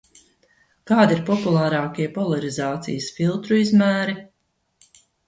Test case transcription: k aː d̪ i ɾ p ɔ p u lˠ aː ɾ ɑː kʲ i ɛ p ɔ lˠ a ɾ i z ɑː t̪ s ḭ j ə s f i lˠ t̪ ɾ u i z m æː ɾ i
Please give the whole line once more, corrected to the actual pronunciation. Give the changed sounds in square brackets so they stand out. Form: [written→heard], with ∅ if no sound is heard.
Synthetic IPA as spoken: k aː d̪ i ɾ p ɔ p u lˠ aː ɾ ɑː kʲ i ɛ p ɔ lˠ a ɾ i z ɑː t̪ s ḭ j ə s f i lˠ t̪ ɾ u i z m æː ɾ i